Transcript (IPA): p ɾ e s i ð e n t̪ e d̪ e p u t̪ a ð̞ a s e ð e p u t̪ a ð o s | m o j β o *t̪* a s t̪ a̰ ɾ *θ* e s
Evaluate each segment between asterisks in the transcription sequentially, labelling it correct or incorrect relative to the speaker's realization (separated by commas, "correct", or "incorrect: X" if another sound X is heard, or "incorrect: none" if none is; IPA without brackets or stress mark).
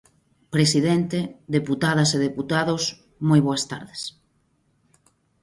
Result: incorrect: none, incorrect: ð